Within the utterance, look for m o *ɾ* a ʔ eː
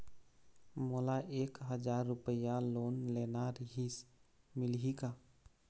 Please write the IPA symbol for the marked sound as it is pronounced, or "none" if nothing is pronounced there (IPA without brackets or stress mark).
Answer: l